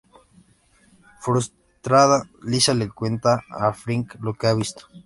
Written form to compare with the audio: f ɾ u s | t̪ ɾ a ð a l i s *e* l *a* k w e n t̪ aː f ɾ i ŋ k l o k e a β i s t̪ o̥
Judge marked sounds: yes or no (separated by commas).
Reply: no, no